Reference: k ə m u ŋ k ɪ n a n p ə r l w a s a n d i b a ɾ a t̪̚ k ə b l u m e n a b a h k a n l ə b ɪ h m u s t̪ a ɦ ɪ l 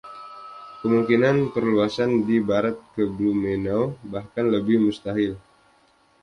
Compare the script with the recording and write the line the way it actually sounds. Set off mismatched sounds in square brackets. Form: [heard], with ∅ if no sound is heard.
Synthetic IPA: k ə m u ŋ k [i] n a n p ə r l [u] a s a n d i b a ɾ a t̪̚ k ə b l u m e n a b a h k a n l ə b ɪ h m u s t̪ a ɦ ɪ l